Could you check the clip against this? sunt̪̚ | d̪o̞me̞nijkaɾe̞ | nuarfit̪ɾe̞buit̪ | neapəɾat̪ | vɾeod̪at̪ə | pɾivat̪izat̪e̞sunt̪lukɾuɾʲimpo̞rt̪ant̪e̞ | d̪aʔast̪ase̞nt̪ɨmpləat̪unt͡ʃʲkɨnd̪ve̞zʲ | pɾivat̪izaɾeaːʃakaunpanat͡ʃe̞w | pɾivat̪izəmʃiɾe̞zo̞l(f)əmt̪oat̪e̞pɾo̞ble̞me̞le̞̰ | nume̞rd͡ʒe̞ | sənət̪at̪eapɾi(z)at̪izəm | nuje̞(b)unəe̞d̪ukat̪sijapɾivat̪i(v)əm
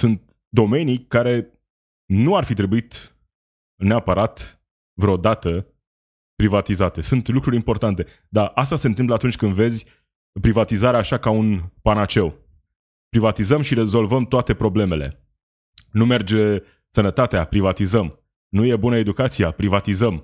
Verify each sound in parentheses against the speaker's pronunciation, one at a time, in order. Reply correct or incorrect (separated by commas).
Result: incorrect, incorrect, correct, incorrect